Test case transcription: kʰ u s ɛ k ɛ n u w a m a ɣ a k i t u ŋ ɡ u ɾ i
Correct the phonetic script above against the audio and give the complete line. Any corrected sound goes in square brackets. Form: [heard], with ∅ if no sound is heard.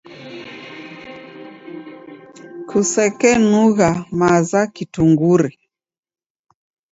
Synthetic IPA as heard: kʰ u s ɛ k ɛ n u [ɣ] a m a [z] a k i t u ŋ ɡ u ɾ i